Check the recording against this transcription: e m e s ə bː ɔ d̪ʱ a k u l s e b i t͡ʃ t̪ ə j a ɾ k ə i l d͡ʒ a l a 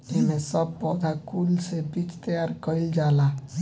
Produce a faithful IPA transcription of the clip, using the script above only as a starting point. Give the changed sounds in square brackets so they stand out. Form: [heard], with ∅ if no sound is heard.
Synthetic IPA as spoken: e m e s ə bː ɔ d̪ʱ a k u l s e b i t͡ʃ t̪ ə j a ɾ k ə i l d͡ʒ a l a